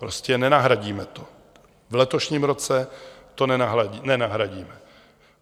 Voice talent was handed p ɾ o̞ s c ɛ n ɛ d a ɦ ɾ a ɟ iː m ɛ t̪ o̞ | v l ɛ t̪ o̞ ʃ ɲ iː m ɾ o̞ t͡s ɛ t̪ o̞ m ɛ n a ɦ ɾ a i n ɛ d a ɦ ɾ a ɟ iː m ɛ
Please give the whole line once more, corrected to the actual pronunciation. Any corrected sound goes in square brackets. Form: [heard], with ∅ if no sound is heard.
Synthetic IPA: p ɾ o̞ s c ɛ n ɛ [n] a ɦ ɾ a ɟ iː m ɛ t̪ o̞ | v l ɛ t̪ o̞ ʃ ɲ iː m ɾ o̞ t͡s ɛ t̪ o̞ [n] ɛ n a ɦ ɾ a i n ɛ [n] a ɦ ɾ a ɟ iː m ɛ